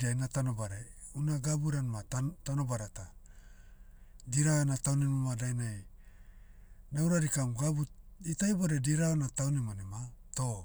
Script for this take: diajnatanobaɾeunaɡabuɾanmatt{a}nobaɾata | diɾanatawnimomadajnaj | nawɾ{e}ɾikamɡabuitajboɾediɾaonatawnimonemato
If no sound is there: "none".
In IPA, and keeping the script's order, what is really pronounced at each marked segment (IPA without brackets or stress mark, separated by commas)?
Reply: a, a